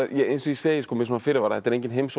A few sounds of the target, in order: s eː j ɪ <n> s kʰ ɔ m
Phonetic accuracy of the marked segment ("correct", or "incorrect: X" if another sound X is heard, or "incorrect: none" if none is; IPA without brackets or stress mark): incorrect: none